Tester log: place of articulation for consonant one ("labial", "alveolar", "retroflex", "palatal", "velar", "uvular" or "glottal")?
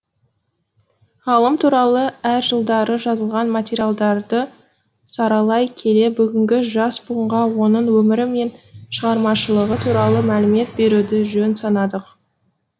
alveolar